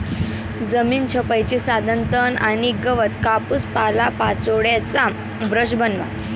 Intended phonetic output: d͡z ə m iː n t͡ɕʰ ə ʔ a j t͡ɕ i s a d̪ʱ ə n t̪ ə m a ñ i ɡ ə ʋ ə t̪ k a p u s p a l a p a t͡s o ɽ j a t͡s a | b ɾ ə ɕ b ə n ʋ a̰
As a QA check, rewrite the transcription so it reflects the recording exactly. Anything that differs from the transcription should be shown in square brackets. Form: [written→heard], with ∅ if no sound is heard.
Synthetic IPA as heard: d͡z ə m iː n t͡ɕʰ ə [ʔ→p] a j t͡ɕ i s a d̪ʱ ə n t̪ ə [m→n] a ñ i ɡ ə ʋ ə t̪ k a p u s p a l a p a t͡s o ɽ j a t͡s a | b ɾ ə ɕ b ə n ʋ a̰